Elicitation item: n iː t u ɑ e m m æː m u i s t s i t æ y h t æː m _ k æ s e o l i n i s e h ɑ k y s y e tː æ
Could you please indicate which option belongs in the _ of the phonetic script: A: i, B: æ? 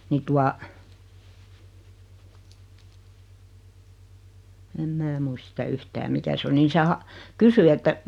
A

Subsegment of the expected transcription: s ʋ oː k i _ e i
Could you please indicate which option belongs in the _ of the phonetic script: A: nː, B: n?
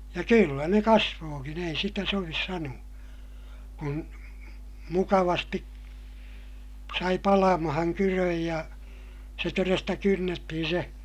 B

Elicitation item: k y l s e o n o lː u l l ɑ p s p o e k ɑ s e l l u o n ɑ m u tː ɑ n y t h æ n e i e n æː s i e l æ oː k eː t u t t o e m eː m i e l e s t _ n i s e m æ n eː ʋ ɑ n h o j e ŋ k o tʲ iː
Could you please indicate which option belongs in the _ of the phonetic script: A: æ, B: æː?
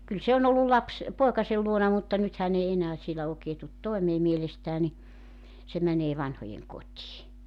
B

